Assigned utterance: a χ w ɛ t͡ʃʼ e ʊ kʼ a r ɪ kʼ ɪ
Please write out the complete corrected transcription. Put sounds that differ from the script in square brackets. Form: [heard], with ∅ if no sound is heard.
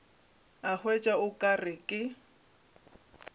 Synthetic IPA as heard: a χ w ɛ t͡ʃʼ [a] ʊ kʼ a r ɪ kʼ ɪ